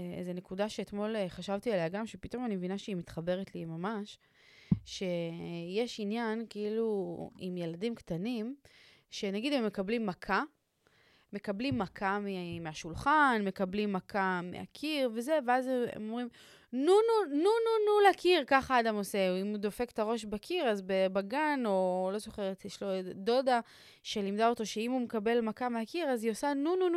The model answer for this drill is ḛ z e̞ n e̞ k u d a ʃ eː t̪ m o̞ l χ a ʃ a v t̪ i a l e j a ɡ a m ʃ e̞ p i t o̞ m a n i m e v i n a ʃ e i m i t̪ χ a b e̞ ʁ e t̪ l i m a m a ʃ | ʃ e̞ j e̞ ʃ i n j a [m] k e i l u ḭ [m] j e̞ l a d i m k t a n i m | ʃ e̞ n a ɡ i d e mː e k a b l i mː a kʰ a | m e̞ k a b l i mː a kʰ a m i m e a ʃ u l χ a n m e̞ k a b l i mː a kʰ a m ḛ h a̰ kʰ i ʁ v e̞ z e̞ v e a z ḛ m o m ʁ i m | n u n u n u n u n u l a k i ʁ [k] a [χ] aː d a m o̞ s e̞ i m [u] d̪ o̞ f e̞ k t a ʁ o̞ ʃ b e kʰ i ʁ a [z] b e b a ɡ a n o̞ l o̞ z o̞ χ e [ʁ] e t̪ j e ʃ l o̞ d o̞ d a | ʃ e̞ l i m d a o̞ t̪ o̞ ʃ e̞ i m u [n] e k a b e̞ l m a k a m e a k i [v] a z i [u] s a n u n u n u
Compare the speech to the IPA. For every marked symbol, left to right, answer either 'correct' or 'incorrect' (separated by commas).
incorrect, correct, correct, correct, correct, correct, correct, incorrect, incorrect, incorrect